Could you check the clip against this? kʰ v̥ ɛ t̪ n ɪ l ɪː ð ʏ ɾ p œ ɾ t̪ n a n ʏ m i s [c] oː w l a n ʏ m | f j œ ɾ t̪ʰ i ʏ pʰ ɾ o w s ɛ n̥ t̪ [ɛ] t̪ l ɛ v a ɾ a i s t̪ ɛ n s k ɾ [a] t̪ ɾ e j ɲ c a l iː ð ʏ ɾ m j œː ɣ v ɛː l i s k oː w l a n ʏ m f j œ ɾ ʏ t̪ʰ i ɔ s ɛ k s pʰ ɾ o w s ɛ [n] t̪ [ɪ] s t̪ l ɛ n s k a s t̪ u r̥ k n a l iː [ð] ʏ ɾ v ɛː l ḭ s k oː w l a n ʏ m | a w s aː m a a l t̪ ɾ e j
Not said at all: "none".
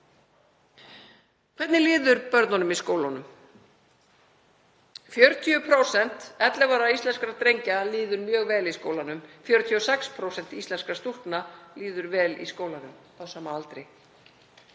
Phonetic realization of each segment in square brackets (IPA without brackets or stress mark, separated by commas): k, ɛ, a, n, i, ð